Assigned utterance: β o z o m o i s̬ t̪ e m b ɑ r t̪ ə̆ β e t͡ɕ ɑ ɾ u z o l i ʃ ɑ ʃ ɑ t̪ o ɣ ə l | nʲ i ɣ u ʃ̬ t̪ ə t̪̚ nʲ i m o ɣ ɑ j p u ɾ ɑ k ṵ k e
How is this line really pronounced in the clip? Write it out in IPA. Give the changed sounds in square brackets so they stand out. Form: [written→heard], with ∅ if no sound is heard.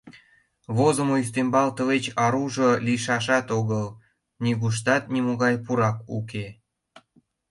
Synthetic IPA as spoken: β o z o m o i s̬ t̪ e m b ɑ [r→l] t̪ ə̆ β e t͡ɕ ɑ ɾ u [z→ʒ] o l i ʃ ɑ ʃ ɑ t̪ o ɣ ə l | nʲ i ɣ u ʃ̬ t̪ [ə→ɑ] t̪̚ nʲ i m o ɣ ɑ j p u ɾ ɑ k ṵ k e

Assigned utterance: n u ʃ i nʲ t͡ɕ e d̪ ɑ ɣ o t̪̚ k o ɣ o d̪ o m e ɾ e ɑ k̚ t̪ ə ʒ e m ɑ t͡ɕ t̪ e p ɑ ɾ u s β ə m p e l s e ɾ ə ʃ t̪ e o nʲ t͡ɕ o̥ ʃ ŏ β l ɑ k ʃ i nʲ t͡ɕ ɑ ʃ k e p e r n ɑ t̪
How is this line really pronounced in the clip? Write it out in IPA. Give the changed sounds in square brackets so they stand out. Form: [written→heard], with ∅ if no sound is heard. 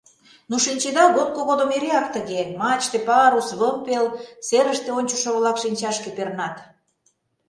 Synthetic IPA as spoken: n u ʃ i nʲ t͡ɕ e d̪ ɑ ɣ o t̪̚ k o ɣ o d̪ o m e ɾ e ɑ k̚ t̪ ə [ʒ→ɣ] e m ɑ t͡ɕ t̪ e p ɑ ɾ u s β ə m p e l s e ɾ ə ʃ t̪ e o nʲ t͡ɕ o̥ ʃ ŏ β l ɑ k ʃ i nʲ t͡ɕ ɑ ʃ k e p e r n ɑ t̪

